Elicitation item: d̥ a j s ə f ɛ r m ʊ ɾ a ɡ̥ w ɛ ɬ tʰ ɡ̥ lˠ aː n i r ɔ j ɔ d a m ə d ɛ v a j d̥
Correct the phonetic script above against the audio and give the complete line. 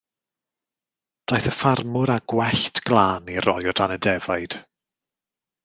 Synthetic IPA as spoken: d̥ a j θ ə f a r m ʊ ɾ a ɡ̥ w ɛ ɬ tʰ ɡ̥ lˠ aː n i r ɔ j ɔ d a n ə d ɛ v a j d̥